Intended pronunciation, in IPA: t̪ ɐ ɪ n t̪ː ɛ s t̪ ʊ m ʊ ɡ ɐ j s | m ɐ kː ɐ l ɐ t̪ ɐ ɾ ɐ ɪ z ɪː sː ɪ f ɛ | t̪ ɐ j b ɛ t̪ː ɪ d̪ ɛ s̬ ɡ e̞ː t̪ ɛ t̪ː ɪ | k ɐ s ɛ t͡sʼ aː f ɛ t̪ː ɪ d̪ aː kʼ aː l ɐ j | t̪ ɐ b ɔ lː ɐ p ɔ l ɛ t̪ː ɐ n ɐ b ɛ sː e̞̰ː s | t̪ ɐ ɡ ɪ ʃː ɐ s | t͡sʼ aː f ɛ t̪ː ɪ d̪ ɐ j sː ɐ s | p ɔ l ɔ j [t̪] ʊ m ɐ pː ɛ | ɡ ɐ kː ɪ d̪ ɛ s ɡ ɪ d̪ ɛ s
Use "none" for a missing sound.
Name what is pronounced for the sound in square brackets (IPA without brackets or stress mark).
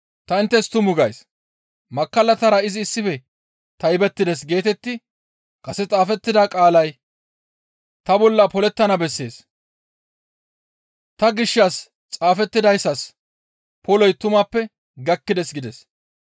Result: t̪